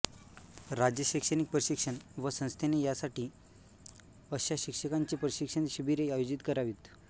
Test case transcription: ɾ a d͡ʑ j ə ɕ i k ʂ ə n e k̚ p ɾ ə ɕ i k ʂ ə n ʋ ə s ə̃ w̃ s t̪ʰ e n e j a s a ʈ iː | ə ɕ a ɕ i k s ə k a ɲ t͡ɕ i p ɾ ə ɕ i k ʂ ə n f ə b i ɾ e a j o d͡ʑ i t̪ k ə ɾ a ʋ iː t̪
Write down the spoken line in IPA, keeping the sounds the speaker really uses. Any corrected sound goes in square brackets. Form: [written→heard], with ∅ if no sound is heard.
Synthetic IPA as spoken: ɾ a d͡ʑ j ə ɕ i k ʂ ə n [e→i] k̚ p ɾ ə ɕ i k ʂ ə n ʋ ə s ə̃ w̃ s t̪ʰ e n e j a s a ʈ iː | ə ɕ a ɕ i k [s→ʂ] ə k a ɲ t͡ɕ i p ɾ ə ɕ i k ʂ ə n [f→ɕ] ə b i ɾ e a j o d͡ʑ i t̪ k ə ɾ a ʋ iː t̪